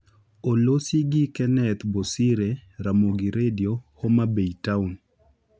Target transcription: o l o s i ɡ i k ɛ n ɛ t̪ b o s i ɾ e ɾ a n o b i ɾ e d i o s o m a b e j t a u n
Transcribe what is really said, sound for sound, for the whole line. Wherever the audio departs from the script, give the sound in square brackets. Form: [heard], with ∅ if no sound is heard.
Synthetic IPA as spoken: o l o s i ɡ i k ɛ n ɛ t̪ b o s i ɾ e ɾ a [m] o [ɡ] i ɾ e d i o [h] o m a b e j t a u n